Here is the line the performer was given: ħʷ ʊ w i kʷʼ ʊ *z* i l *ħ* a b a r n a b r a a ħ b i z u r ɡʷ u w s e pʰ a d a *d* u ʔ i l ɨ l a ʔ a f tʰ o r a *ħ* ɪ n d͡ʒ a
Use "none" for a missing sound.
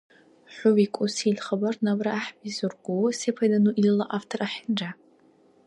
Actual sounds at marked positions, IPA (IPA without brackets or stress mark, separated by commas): s, χ, n, ħ